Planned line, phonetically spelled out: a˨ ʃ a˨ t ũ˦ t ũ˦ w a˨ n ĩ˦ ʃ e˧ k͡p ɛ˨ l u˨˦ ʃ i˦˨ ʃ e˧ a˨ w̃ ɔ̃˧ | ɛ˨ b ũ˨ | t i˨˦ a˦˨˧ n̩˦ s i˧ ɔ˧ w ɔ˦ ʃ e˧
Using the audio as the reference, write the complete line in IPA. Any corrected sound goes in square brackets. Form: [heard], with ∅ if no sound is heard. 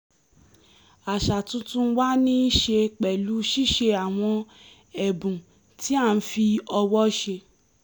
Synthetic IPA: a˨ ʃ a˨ t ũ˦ t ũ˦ w [a˦] n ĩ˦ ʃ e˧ k͡p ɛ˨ l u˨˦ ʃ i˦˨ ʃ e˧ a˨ w̃ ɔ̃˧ | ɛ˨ b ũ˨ | t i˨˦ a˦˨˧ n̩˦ [f] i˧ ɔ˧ w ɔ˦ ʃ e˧